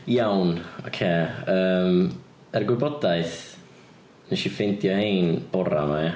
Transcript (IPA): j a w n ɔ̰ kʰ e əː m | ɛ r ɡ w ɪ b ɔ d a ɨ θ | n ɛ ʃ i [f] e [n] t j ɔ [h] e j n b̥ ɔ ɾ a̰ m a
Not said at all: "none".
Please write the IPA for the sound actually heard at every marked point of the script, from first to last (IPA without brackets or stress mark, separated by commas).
f, n, h